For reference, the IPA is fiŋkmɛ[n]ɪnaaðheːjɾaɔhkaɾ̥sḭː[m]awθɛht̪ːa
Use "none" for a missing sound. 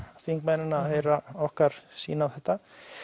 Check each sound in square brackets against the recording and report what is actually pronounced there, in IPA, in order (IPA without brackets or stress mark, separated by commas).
n, n